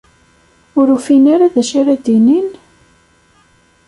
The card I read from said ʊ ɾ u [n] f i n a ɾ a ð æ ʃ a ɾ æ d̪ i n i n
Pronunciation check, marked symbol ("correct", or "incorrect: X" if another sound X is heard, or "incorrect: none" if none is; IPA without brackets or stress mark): incorrect: none